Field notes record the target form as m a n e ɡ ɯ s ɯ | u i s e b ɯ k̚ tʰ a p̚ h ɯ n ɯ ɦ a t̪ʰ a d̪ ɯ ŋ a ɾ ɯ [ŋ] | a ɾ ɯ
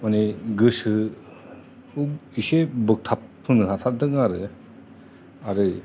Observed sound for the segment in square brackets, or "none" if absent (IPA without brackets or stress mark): none